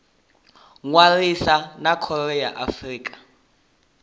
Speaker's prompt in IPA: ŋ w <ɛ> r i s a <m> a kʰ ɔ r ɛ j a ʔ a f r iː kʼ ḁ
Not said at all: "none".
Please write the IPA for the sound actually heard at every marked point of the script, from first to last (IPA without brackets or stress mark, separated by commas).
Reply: a, n